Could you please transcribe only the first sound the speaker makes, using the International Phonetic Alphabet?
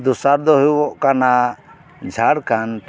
d̪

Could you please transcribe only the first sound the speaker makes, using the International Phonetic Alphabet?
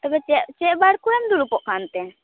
t̪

